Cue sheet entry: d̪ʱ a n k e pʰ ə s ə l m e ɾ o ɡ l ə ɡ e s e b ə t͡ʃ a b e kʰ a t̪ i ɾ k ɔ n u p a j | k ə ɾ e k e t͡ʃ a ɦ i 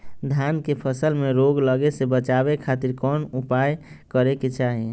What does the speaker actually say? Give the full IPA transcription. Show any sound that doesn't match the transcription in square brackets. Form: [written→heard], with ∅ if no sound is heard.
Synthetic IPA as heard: d̪ʱ a n k e pʰ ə s ə l m e ɾ o ɡ l ə ɡ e s e b ə t͡ʃ a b e kʰ a t̪ i ɾ k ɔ n u p a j | k ə ɾ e k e t͡ʃ a ɦ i

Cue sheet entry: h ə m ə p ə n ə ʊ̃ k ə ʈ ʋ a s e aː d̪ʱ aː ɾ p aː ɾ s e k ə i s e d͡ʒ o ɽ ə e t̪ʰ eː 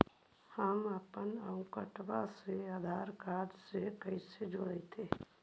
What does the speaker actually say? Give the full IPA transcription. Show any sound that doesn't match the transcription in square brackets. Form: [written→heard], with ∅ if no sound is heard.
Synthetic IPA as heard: h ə m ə p ə n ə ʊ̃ k ə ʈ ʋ a s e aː d̪ʱ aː ɾ [p→k] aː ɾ s e k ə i s e d͡ʒ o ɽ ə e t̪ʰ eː

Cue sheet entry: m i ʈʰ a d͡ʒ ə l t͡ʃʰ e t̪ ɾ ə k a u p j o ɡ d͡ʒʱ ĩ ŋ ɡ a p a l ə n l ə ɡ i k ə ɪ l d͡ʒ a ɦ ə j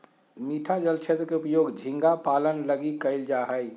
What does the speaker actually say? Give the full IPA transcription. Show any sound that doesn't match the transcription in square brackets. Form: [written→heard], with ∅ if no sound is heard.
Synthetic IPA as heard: m i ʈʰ a d͡ʒ ə l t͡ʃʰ e t̪ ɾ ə k [a→e] u p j o ɡ d͡ʒʱ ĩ ŋ ɡ a p a l ə n l ə ɡ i k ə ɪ l d͡ʒ a ɦ ə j

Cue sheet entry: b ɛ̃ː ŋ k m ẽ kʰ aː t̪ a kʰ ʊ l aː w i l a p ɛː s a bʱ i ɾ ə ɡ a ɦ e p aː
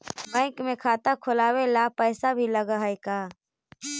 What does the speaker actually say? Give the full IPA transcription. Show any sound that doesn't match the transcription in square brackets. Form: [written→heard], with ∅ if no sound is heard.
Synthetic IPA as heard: b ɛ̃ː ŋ k m ẽ kʰ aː t̪ a kʰ ʊ l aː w [i→e] l a p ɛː s a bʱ i [ɾ→l] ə ɡ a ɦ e [p→k] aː

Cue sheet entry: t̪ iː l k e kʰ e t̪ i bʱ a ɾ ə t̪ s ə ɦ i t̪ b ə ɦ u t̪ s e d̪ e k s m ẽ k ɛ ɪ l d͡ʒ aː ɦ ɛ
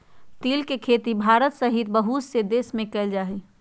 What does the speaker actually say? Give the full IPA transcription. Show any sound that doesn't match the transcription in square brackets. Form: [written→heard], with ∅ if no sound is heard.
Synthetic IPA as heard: t̪ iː l k e kʰ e t̪ i bʱ a ɾ ə t̪ s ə ɦ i t̪ b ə ɦ u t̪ s e d̪ e [k→∅] s m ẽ k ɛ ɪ l d͡ʒ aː ɦ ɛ

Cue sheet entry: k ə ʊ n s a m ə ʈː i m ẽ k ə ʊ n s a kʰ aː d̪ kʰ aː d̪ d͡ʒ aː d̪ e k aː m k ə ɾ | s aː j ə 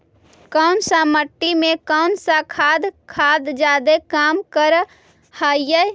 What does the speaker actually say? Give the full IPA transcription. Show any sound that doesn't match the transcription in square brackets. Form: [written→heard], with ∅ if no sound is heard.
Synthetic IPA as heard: k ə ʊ n s a m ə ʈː i m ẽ k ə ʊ n s a kʰ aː d̪ kʰ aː d̪ d͡ʒ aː d̪ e k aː m k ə ɾ | [s→h] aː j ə

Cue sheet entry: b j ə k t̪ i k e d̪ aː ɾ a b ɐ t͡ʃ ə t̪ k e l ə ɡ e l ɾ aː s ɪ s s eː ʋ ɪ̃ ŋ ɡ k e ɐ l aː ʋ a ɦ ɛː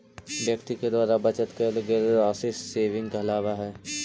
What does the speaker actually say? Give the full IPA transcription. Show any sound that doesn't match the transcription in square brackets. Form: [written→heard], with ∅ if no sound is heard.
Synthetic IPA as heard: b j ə k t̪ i k e d̪ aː ɾ a b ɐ t͡ʃ ə t̪ k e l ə ɡ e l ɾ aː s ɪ s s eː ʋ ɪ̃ ŋ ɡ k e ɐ l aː ʋ a ɦ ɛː

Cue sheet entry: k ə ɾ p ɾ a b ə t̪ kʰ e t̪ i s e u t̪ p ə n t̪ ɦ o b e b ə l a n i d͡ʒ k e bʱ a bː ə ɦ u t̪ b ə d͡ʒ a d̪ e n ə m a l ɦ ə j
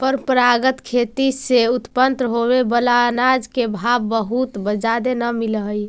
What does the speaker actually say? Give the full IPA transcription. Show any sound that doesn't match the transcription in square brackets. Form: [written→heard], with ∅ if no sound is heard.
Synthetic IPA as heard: [k→p] ə ɾ p ɾ a [b→ɡ] ə t̪ kʰ e t̪ i s e u t̪ p ə n t̪ ɦ o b e b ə l a n [i→a] d͡ʒ k e bʱ a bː ə ɦ u t̪ b ə d͡ʒ a d̪ e n ə m [a→i] l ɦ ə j

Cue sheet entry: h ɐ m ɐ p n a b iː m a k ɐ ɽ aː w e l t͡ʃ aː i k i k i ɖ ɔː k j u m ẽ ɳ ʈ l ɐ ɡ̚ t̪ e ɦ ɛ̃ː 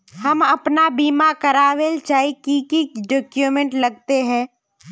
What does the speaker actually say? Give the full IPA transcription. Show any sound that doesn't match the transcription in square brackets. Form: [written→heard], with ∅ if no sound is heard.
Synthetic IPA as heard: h ɐ m ɐ p n a b iː m a k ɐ [ɽ→ɾ] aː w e l t͡ʃ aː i k i k i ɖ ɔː k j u m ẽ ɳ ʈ l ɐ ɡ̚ t̪ e ɦ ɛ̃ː

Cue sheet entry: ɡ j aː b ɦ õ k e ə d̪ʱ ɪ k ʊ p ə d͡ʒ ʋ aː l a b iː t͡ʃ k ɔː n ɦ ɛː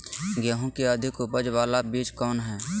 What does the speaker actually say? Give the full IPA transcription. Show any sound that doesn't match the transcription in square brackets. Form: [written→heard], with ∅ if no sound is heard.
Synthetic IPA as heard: ɡ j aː [b→∅] ɦ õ k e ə d̪ʱ ɪ k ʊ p ə d͡ʒ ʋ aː l a b iː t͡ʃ k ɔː n ɦ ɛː

